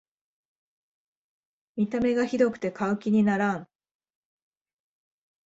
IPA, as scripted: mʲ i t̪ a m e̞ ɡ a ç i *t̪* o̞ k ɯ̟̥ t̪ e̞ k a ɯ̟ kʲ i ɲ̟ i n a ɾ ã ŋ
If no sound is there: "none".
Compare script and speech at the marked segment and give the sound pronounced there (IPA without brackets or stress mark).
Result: d̪